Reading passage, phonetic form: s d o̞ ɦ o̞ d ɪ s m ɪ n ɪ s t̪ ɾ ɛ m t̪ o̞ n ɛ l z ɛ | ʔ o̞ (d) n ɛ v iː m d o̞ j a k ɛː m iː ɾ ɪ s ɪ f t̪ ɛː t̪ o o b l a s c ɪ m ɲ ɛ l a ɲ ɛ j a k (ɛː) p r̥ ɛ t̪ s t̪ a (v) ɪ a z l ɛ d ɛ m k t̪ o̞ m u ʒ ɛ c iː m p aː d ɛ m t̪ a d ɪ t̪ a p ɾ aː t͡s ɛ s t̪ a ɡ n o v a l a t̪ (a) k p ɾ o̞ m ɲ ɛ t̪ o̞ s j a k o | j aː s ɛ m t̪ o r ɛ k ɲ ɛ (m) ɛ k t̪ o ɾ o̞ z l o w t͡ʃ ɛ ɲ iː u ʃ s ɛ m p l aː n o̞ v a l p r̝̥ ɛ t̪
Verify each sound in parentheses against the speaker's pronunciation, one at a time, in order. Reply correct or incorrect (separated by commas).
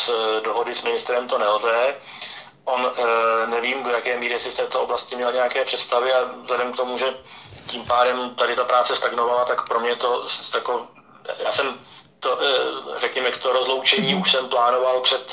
incorrect, correct, correct, correct, correct